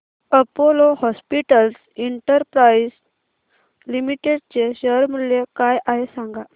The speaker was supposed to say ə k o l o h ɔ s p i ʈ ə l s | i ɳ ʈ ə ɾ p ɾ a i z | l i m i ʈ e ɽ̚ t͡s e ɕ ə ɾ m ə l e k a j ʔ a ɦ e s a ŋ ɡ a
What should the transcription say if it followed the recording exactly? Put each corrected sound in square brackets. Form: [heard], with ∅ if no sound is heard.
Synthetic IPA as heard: ə [p] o l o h ɔ s p i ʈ ə l s | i ɳ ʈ ə ɾ p ɾ a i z | l i m i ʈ e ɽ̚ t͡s e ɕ ə ɾ m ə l e k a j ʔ a ɦ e s a ŋ ɡ a